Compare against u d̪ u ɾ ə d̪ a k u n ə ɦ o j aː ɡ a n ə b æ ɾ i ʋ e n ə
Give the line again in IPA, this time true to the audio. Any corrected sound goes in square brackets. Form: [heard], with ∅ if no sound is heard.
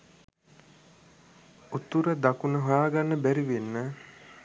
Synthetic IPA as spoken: u [t̪] u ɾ ə d̪ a k u n ə ɦ o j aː ɡ a [nː] ə b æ ɾ i ʋ e [nː] ə